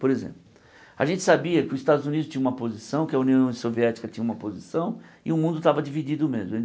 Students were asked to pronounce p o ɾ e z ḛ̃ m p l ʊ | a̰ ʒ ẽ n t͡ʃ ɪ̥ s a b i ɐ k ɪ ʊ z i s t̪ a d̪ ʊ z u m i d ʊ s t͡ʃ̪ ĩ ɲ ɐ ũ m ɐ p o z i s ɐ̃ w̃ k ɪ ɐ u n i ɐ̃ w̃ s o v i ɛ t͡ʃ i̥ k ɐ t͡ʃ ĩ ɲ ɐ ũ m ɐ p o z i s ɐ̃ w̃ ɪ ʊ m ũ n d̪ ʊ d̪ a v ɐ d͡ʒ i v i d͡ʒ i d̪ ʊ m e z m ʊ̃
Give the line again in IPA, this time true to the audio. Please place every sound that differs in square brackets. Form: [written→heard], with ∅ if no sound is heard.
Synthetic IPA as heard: p o ɾ e z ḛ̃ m p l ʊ | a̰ ʒ ẽ n t͡ʃ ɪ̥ s a b i ɐ k ɪ ʊ z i s t̪ a d̪ ʊ z u [m→n] i d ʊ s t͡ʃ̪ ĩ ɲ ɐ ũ m ɐ p o z i s ɐ̃ w̃ k ɪ ɐ u n i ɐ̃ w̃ s o v i ɛ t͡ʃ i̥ k ɐ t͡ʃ ĩ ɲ ɐ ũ m ɐ p o z i s ɐ̃ w̃ ɪ ʊ m ũ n d̪ ʊ [d̪→t̪] a v ɐ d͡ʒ i v i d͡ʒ i d̪ ʊ m e z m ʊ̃